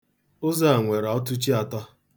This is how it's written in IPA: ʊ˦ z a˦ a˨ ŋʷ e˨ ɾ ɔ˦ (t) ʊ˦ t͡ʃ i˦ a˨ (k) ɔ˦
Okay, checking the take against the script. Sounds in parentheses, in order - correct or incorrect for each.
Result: correct, incorrect: t

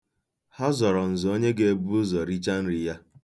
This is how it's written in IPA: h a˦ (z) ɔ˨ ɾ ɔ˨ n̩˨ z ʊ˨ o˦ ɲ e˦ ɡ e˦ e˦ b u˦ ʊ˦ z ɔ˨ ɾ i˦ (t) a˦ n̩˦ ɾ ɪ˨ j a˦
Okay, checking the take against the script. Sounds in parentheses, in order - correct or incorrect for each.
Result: correct, incorrect: t͡ʃ

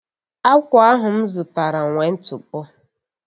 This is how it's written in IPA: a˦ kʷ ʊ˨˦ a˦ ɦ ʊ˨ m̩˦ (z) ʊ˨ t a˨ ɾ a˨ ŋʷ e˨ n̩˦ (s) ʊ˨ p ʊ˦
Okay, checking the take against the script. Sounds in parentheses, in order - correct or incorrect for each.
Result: correct, incorrect: t

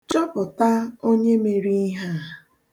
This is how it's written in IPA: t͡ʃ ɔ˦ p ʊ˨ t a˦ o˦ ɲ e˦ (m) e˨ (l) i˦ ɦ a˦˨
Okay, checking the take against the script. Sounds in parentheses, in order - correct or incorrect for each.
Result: correct, incorrect: ɾ

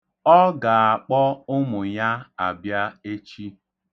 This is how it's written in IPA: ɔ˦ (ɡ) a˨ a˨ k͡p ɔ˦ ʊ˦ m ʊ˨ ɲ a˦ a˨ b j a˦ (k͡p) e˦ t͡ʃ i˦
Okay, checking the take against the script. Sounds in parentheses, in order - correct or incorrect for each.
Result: correct, incorrect: none

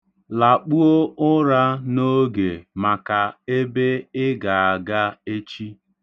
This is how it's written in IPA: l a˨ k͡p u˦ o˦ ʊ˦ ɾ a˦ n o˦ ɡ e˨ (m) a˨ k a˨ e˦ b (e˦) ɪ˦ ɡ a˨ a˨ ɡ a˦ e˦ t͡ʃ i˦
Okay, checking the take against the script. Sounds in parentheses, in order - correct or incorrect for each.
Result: correct, correct

